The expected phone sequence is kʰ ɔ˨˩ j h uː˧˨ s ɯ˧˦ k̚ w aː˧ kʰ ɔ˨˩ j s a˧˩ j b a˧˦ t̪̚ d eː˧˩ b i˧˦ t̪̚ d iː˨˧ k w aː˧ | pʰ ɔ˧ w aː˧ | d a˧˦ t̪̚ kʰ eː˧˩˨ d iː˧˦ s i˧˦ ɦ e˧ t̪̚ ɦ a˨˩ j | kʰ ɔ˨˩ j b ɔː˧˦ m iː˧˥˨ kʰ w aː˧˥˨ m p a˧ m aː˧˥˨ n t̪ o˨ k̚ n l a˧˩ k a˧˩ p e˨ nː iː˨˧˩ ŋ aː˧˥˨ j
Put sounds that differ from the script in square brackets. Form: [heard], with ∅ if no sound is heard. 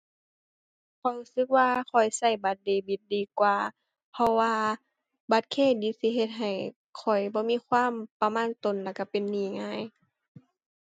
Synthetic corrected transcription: kʰ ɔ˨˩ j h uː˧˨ s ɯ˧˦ k̚ w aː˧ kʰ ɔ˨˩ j s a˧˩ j b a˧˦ t̪̚ d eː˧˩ b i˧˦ t̪̚ d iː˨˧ k w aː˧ | pʰ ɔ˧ w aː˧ | [b] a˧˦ t̪̚ kʰ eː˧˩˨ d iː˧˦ s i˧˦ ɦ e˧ t̪̚ ɦ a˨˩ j | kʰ ɔ˨˩ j b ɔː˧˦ m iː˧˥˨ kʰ w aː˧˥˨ m p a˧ m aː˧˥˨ n t̪ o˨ [∅] n l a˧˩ k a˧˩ p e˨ nː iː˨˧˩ ŋ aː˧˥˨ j